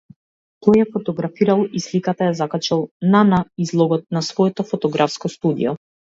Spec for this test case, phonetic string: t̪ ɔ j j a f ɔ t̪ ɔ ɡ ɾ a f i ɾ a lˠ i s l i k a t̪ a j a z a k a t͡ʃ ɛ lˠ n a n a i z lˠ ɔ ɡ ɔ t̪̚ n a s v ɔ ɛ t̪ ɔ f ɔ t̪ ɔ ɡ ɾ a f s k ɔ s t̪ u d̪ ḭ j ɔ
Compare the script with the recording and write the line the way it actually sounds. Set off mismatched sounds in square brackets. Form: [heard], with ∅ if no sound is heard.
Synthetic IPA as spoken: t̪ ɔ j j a f ɔ t̪ ɔ ɡ ɾ a f i ɾ a lˠ i s l i k a t̪ a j a z a k a t͡ʃ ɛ lˠ n a n a i z lˠ ɔ ɡ ɔ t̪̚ n a s v ɔ ɛ t̪ ɔ f ɔ t̪ ɔ ɡ ɾ a f s k ɔ s t̪ u d̪ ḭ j ɔ